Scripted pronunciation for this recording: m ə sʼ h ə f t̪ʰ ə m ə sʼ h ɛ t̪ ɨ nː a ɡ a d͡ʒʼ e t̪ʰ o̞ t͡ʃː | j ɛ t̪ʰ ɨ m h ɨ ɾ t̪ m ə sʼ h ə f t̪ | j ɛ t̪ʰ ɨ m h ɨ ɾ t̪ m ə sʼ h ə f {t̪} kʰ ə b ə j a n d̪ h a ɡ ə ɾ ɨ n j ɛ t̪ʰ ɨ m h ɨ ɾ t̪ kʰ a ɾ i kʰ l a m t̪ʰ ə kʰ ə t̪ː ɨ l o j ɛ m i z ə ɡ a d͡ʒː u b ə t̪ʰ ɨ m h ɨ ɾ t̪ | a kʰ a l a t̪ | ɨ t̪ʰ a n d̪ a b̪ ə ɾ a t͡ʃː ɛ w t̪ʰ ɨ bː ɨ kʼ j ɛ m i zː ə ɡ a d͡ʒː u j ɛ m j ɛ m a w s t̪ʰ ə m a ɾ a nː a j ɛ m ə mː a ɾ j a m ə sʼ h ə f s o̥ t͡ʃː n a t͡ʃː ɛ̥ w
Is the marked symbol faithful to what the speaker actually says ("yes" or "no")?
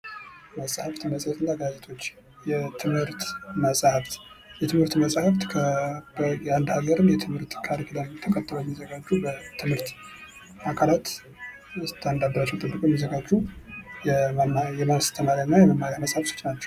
yes